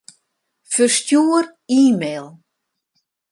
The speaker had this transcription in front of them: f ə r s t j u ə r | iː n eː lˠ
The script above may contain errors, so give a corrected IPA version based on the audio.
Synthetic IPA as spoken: f ə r s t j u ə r | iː m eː lˠ